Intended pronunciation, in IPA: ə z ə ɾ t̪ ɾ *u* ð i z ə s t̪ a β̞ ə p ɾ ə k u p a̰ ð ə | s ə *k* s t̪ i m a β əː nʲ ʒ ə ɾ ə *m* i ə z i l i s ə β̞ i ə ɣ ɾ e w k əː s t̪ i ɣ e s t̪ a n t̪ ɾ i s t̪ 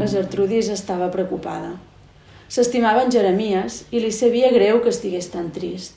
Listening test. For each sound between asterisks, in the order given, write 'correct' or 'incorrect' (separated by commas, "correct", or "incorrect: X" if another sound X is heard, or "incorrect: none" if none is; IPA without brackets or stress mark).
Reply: correct, incorrect: none, correct